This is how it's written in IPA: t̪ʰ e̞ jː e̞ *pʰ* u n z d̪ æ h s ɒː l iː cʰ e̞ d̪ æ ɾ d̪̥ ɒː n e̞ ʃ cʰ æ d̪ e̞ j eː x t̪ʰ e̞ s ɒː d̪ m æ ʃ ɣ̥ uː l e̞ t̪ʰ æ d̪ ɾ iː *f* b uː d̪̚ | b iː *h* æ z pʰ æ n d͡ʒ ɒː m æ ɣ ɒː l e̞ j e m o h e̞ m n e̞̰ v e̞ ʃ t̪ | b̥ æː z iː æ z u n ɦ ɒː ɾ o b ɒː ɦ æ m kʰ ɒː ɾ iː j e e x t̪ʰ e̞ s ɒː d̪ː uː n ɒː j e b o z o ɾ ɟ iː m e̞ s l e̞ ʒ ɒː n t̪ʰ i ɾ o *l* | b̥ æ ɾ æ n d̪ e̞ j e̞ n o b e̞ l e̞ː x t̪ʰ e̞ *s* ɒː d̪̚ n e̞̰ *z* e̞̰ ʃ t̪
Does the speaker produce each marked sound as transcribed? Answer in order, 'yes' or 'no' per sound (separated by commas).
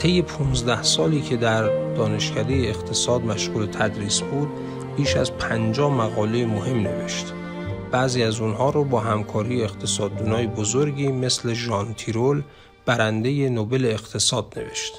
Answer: yes, no, no, yes, yes, no